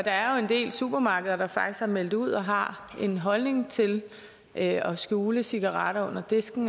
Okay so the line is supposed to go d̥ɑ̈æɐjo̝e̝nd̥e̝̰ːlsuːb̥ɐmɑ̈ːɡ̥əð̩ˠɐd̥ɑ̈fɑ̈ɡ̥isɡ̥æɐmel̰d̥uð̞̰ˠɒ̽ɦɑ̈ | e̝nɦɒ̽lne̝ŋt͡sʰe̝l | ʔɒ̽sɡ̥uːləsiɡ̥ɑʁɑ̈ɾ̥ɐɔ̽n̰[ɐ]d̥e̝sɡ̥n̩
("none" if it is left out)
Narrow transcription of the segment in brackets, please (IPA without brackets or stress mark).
ɐ